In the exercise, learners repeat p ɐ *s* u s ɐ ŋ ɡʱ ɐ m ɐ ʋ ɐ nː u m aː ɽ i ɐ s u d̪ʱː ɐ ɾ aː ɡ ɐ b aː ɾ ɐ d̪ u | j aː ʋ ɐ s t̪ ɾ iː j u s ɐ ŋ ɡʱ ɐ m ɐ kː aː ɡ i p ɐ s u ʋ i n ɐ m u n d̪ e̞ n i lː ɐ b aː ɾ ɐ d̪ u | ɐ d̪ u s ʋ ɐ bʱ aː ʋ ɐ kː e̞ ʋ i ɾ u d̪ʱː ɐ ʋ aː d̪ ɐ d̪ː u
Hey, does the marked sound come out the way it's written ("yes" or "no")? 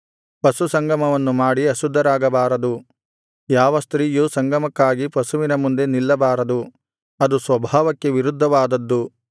yes